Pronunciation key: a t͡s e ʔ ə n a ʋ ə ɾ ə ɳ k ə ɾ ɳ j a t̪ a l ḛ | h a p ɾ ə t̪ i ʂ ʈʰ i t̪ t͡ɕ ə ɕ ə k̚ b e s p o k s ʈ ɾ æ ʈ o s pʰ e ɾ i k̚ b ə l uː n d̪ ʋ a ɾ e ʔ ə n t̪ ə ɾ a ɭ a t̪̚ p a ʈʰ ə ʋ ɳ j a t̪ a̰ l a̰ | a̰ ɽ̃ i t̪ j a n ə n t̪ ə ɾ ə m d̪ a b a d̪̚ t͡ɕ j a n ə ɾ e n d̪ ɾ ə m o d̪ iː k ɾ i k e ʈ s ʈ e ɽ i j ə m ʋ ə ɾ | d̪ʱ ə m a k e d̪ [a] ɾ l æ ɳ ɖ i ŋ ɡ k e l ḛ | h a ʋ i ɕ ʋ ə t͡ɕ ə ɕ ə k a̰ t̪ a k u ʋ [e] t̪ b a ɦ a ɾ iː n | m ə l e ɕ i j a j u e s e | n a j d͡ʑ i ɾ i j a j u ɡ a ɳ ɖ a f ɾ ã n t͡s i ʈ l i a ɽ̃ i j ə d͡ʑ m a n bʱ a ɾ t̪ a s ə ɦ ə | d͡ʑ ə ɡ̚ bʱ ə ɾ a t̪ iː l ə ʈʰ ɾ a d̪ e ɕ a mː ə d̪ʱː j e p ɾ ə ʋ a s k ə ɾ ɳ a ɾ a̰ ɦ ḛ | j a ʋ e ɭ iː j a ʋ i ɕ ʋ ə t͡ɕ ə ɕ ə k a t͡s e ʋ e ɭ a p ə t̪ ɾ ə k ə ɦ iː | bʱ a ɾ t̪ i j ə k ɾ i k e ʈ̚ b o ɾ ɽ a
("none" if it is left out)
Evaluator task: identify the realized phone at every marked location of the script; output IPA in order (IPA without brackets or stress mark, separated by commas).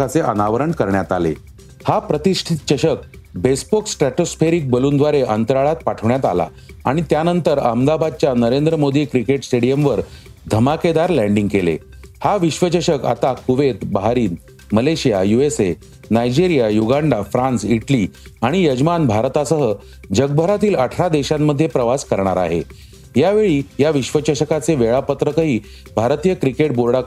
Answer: a, e